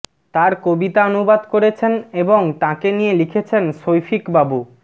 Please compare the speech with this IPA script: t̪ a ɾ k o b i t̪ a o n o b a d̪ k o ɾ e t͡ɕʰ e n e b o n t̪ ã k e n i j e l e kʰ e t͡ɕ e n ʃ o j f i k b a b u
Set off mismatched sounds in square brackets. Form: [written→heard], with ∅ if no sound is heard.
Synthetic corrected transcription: t̪ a ɾ k o b i t̪ a o n [o→u] b a d̪ k o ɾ e t͡ɕʰ e n e b o [n→ŋ] t̪ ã k e n i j e l [e→i] kʰ e [t͡ɕ→t͡ɕʰ] e n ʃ o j f i k b a b u